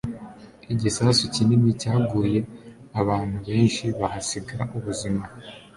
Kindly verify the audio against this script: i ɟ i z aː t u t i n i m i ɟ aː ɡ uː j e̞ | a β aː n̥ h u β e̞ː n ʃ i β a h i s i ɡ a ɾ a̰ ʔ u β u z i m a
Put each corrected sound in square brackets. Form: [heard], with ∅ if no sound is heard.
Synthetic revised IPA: i ɟ i [s] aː [s] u [c] i n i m i [c] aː ɡ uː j e̞ | a β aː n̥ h u β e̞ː n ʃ i β a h [a] s i ɡ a ɾ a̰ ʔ u β u z i m a